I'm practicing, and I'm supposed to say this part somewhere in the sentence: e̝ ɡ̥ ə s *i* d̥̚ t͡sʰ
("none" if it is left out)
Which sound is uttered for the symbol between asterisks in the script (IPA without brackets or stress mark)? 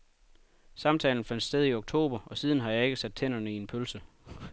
æ